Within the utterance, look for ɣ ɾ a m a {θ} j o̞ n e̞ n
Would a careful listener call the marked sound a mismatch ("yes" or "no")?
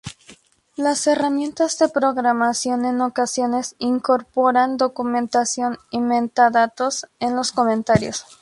yes